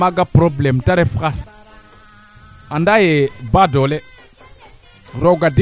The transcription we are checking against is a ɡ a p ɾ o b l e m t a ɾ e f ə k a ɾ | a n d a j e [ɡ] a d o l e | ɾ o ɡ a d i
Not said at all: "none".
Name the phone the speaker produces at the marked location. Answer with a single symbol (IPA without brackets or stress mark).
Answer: b